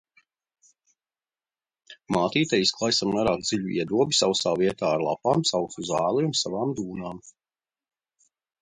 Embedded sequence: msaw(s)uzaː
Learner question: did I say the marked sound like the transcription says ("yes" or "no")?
yes